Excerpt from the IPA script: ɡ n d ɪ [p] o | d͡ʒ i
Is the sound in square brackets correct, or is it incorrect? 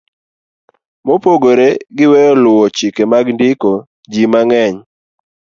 incorrect: k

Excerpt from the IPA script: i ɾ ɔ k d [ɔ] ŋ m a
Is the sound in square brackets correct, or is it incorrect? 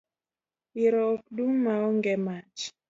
incorrect: u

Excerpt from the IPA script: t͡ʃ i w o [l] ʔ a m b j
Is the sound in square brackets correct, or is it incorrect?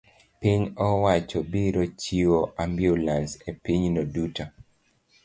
incorrect: none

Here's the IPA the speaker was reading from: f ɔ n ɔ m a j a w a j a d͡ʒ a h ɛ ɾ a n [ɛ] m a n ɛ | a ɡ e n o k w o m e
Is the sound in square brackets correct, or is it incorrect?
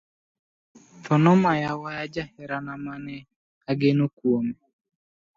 incorrect: a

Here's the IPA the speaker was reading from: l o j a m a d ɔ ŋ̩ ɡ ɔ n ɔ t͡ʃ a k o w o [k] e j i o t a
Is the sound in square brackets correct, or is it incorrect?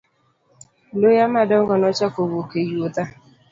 correct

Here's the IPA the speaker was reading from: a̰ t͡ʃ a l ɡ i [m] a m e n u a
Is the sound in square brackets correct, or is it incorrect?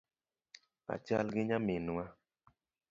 incorrect: ɲ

